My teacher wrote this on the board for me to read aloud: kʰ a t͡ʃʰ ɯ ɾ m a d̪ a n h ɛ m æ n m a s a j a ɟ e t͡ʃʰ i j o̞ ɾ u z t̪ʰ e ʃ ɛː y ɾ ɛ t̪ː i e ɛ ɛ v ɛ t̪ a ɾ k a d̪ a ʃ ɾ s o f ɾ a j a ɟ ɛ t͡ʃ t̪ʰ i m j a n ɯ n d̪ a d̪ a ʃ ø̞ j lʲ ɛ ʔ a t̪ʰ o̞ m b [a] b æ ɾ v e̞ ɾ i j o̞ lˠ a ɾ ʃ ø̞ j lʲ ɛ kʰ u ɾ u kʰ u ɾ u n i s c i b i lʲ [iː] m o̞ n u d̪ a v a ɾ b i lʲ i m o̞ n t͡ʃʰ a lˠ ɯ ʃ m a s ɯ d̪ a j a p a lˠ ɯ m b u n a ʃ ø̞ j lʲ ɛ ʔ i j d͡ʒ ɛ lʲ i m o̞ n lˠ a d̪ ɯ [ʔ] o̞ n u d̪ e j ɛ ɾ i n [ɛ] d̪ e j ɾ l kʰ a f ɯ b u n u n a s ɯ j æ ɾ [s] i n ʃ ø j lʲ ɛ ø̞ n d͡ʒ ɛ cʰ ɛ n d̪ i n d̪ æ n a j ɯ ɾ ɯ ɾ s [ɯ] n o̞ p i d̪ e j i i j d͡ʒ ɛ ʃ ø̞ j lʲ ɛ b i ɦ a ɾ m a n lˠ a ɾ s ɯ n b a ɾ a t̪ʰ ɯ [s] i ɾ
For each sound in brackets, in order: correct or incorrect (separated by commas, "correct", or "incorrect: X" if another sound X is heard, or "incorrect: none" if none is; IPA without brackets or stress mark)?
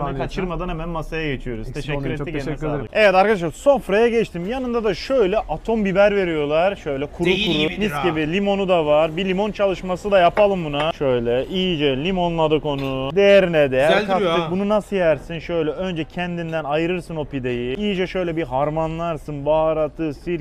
incorrect: i, incorrect: i, incorrect: k, correct, correct, correct, correct